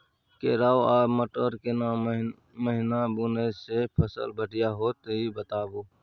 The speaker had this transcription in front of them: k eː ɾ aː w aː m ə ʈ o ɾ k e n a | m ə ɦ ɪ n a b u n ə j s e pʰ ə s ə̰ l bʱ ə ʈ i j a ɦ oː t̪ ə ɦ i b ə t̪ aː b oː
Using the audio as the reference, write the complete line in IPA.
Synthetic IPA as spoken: k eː ɾ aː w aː m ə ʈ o ɾ k e n a | m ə ɦ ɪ n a b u n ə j s e pʰ ə s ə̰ l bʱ ə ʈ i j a ɦ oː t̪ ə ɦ i b ə t̪ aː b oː